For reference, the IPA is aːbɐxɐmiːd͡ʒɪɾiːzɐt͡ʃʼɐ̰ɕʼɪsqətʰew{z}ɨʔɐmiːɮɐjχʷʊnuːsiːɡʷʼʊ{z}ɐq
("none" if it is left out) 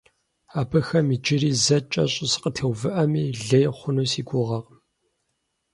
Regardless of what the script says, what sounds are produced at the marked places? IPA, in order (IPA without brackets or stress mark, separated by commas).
v, ʁ